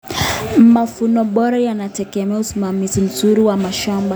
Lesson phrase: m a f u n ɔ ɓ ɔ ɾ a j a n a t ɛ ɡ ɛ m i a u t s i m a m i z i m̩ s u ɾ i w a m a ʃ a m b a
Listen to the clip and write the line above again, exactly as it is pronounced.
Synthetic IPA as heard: m a f u n ɔ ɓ ɔ ɾ a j a n a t ɛ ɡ ɛ m ɛ a u s i m a m i z i m̩ z u ɾ i w a m a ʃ a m b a